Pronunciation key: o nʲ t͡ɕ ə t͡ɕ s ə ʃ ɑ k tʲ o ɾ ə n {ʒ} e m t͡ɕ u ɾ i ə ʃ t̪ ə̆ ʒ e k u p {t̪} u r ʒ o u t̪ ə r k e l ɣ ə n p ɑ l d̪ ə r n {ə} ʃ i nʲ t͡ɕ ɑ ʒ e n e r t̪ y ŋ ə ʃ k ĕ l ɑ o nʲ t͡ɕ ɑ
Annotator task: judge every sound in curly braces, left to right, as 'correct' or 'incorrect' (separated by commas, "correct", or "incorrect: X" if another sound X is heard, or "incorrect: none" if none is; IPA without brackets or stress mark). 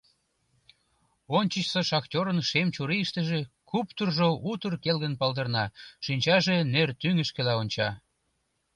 incorrect: ʃ, correct, incorrect: ɑ